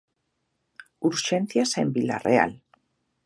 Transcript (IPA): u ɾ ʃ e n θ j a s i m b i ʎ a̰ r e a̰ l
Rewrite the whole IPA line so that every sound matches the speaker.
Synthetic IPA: u ɾ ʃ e n θ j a s e m b i l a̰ r e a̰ l